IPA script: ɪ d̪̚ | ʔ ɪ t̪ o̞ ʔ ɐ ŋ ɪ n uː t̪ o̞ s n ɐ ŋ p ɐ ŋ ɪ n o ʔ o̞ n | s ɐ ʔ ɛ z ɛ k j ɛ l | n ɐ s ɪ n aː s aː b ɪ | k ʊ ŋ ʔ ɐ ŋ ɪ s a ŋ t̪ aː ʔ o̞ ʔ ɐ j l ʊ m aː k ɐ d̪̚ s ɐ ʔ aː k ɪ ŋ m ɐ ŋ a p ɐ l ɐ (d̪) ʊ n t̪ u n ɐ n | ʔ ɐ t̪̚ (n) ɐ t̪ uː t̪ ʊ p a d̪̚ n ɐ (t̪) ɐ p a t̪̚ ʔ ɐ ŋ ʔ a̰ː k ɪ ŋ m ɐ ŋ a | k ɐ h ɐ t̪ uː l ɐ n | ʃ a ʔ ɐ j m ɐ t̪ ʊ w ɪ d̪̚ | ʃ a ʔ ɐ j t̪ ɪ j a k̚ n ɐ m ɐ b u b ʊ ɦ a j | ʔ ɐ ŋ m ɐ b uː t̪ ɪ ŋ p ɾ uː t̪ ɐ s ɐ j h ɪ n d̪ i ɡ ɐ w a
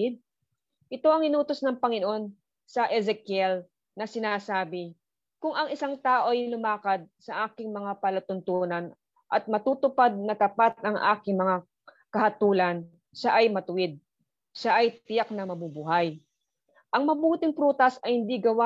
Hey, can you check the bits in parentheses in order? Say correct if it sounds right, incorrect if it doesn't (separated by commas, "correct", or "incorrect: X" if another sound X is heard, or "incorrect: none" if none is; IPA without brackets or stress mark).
incorrect: t̪, incorrect: m, correct